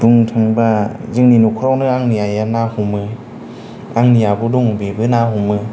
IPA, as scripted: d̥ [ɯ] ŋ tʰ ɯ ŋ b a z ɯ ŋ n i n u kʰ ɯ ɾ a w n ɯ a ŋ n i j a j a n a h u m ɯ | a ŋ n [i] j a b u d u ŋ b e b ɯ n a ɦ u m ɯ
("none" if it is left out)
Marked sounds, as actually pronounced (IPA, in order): u, i

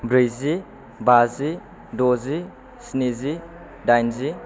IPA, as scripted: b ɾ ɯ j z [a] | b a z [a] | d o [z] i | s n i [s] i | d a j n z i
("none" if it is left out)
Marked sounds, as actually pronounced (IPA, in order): i, i, z, z

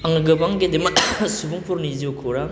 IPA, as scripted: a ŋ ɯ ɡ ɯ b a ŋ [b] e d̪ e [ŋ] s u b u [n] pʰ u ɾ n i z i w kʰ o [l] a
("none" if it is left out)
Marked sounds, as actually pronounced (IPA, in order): ɡ, m, ŋ, ɾ

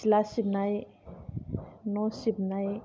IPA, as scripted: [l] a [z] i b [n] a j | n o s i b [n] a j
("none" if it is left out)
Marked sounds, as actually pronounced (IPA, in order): l, s, n, n

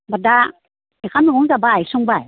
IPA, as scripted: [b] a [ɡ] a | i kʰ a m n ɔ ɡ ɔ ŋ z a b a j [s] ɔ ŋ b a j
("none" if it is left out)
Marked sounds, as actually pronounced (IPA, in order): b, d, s

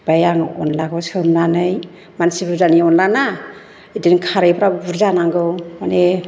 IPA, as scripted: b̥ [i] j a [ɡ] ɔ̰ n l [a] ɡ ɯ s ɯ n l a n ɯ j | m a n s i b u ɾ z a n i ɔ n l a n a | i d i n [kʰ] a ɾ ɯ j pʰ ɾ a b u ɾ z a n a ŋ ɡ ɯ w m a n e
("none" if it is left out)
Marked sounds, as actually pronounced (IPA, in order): a, ŋ, a, kʰ

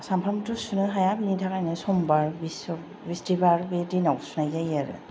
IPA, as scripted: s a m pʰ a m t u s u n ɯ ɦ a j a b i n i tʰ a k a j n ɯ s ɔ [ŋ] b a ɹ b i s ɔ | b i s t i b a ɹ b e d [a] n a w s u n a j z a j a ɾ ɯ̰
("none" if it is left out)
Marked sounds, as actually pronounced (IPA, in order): m, i

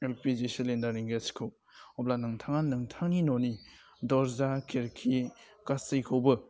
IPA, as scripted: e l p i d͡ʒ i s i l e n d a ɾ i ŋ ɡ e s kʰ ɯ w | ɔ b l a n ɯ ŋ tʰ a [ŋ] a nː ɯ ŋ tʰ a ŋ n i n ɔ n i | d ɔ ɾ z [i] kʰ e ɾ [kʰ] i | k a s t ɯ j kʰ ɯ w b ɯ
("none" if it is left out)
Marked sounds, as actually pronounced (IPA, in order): ŋ, a, kʰ

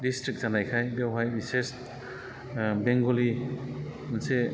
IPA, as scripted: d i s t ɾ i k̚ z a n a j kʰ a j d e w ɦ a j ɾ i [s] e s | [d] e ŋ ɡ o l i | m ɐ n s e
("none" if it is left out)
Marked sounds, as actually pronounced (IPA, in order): s, b

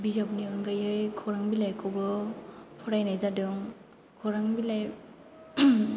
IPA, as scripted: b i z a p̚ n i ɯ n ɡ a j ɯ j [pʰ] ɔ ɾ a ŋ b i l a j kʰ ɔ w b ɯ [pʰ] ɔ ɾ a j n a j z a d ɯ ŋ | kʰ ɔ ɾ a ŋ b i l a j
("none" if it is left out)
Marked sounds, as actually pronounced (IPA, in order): kʰ, pʰ

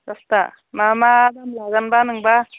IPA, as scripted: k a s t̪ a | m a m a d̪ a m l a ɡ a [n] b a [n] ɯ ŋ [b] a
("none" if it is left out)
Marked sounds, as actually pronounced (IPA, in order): n, n, b

